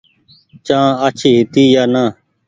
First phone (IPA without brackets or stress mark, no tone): t͡ʃ